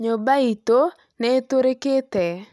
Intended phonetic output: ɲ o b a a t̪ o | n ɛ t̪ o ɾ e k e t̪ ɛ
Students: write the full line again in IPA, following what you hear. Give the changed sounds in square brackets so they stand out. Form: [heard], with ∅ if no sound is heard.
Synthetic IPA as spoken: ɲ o b a [i] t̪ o | n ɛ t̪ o ɾ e k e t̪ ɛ